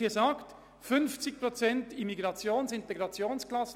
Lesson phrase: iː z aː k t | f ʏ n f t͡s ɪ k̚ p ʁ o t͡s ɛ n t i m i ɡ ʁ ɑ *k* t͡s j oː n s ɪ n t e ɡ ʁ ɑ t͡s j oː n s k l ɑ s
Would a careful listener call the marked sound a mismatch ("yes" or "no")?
yes